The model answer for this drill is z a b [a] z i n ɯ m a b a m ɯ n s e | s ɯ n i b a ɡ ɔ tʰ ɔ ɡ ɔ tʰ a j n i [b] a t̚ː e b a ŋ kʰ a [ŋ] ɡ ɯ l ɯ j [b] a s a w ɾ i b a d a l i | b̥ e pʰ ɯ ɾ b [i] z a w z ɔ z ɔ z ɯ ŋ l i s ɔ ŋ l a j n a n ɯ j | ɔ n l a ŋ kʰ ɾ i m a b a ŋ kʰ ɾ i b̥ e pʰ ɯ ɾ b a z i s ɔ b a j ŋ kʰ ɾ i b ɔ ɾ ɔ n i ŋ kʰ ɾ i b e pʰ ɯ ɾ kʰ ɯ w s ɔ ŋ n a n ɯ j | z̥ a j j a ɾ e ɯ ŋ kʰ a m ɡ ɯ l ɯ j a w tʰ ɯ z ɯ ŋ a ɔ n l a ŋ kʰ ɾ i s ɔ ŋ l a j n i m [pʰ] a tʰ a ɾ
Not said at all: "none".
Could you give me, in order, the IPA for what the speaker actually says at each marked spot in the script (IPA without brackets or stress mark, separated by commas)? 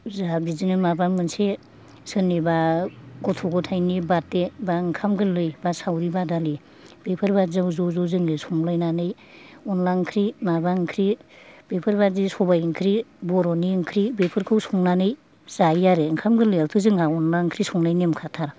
i, b, m, b, a, kʰ